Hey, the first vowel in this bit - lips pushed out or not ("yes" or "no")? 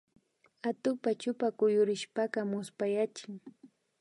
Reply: no